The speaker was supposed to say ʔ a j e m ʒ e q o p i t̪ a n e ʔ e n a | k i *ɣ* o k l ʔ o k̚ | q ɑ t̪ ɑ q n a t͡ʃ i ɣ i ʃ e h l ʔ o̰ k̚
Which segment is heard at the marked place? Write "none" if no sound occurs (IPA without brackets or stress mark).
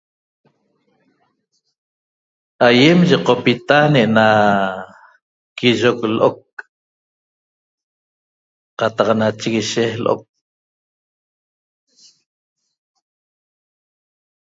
ʒ